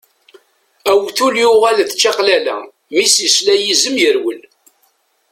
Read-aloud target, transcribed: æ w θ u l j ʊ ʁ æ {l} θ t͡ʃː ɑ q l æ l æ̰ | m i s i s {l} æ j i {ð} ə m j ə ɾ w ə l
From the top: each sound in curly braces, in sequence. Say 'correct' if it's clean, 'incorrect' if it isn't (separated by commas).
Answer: correct, correct, incorrect